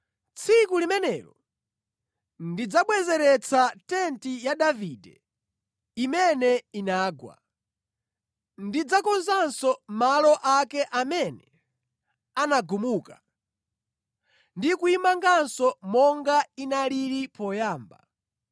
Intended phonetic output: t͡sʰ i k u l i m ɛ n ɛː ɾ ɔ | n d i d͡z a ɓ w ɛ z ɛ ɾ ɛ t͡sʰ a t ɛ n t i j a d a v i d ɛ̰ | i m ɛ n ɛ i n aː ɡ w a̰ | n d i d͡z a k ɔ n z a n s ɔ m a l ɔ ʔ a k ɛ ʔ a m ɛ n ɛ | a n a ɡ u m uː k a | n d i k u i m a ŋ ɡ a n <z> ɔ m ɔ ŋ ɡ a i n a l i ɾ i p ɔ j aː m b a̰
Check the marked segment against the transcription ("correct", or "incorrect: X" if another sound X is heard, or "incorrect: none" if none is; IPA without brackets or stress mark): incorrect: s